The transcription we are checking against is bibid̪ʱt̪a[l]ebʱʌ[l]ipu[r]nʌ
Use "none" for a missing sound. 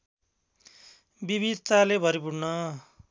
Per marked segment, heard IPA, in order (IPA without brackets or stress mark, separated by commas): l, ɾ, ɽ